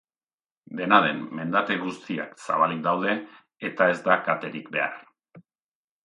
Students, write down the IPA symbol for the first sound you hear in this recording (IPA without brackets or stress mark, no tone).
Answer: d̪